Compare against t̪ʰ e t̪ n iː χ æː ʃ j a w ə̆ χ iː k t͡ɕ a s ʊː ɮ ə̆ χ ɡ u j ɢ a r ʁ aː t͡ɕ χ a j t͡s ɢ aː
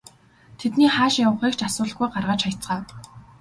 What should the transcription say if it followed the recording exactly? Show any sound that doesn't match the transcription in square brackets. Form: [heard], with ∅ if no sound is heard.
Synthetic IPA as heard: t̪ʰ e t̪ n iː χ [aː] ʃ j a w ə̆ χ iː k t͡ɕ a s ʊː ɮ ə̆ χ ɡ u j ɢ a r ʁ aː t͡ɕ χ a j t͡s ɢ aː